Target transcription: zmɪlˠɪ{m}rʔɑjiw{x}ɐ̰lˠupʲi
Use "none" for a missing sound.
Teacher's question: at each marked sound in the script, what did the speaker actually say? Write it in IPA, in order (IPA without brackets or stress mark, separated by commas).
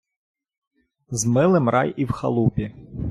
m, x